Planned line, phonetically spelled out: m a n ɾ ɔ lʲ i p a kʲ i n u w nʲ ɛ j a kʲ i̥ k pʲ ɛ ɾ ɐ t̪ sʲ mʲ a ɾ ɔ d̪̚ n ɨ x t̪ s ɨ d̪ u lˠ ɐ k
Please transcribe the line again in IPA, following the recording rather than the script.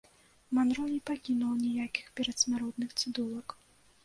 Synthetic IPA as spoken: m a n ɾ ɔ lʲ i p a kʲ i n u w nʲ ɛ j a kʲ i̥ x pʲ ɛ ɾ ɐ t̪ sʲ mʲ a ɾ ɔ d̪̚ n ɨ x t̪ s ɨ d̪ u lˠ ɐ k